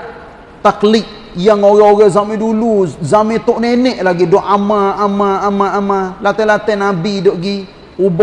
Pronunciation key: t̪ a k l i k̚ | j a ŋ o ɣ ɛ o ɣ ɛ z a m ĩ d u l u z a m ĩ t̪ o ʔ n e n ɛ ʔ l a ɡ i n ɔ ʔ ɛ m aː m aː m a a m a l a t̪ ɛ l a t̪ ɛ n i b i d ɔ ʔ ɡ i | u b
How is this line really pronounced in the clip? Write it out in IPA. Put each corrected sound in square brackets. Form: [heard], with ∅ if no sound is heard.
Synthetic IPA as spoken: t̪ a k l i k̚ | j a ŋ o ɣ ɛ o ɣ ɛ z a m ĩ d u l u z a m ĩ t̪ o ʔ n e n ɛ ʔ l a ɡ i [d] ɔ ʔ [a] m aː m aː m a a m a l a t̪ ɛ l a t̪ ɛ n [a] b i d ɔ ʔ ɡ i | u b